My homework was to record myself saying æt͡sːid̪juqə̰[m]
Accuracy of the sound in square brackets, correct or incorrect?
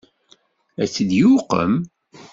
correct